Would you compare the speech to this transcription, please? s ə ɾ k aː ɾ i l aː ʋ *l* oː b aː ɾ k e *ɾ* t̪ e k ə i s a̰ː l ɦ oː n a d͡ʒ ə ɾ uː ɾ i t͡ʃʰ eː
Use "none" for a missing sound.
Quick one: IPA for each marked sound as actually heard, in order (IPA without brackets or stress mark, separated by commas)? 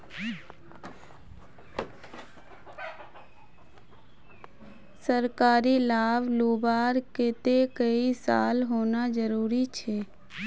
l, none